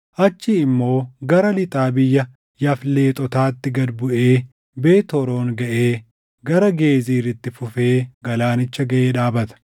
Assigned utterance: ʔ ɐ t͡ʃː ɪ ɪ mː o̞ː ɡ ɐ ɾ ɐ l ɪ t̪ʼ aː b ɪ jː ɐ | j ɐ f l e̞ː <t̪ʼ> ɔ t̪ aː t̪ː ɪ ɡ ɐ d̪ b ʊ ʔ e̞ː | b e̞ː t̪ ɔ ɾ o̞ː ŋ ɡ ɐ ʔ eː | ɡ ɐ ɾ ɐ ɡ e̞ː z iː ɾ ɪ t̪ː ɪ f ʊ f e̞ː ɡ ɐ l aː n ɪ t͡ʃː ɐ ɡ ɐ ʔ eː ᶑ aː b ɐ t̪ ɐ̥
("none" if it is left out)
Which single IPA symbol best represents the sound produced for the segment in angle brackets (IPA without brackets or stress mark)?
t̪ʼ